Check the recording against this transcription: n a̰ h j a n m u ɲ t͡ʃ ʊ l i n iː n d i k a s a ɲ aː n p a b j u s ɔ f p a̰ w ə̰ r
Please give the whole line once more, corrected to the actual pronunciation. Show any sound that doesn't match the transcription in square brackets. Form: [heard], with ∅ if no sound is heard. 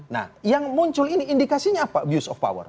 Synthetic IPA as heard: n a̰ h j a [ŋ] m u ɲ t͡ʃ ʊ l i n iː n d i k a s [i] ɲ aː [∅] p a b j u s ɔ f p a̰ w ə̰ r